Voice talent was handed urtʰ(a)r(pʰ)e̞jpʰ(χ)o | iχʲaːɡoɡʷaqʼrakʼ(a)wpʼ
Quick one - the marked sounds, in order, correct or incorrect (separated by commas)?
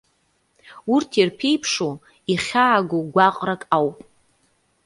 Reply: incorrect, correct, incorrect, correct